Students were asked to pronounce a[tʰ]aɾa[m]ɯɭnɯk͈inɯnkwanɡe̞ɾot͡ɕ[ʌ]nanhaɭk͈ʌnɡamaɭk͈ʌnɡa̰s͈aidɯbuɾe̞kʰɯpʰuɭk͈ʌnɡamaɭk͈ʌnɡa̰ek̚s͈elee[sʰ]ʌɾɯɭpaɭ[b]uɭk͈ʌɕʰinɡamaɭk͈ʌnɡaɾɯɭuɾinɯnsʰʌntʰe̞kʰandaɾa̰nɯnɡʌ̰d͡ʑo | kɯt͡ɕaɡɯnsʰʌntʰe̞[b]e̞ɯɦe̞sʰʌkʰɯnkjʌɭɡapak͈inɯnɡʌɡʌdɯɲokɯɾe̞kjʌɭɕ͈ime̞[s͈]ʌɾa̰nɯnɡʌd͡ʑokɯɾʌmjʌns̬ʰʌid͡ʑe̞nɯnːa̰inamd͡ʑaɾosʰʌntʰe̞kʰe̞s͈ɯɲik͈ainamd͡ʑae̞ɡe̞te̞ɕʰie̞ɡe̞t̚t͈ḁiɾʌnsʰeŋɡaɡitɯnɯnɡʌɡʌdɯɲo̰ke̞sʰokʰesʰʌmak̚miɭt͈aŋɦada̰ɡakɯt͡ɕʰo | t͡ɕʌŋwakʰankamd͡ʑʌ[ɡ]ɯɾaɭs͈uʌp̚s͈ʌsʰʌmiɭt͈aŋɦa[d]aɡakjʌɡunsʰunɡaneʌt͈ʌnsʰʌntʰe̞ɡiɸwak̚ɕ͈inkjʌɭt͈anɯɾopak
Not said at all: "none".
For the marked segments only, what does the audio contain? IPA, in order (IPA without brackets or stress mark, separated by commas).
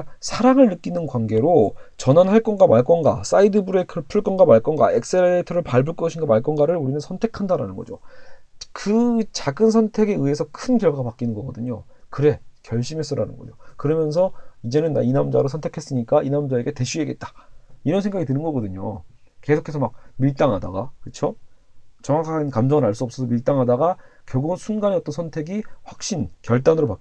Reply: sʰ, ŋ, ʌ, tʰ, b, ɡ, s͈, ŋ, d